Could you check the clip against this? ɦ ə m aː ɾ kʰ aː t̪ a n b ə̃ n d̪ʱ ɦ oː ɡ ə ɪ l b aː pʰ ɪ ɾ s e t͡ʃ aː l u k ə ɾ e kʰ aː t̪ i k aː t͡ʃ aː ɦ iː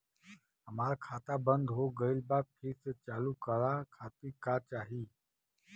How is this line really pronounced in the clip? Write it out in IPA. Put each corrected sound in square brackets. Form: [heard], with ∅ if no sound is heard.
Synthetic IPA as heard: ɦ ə m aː ɾ kʰ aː t̪ a [∅] b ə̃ n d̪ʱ ɦ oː ɡ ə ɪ l b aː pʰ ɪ ɾ s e t͡ʃ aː l u k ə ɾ [a] kʰ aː t̪ i k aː t͡ʃ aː ɦ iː